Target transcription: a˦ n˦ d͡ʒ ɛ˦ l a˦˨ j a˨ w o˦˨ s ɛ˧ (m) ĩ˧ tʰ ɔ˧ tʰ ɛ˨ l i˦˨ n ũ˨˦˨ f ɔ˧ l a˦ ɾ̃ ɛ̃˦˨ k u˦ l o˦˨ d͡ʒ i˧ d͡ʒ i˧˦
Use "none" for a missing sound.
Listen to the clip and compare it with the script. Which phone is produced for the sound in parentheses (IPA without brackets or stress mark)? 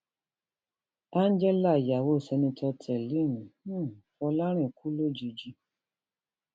n